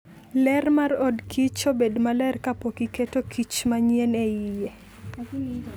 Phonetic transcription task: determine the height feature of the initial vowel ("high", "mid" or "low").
mid